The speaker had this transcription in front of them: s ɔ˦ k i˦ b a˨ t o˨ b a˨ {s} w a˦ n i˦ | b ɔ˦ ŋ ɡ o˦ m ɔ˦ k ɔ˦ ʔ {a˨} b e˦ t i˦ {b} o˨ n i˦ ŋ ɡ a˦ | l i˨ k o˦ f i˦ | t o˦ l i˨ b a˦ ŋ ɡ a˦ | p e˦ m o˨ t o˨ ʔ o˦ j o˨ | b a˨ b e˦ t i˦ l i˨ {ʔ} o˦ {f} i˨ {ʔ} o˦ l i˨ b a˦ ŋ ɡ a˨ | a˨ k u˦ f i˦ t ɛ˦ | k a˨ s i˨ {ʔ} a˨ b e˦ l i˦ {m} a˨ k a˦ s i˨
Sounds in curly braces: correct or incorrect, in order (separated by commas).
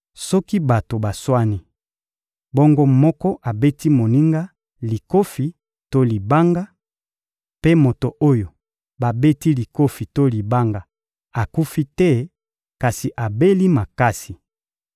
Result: correct, correct, incorrect, incorrect, correct, incorrect, correct, correct